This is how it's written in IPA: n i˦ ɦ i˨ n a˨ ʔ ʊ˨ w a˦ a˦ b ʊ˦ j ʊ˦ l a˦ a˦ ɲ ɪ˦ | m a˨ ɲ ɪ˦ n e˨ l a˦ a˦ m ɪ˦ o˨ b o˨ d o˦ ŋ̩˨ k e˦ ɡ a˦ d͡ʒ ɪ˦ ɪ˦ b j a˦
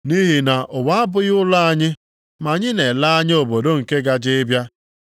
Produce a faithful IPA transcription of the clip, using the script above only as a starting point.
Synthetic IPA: n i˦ ɦ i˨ n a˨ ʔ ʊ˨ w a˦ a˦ b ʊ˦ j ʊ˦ l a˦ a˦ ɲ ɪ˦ | m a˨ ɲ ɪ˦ n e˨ l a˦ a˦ ɲ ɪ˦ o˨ b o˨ d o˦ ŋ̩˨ k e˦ ɡ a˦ d͡ʒ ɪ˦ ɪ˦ b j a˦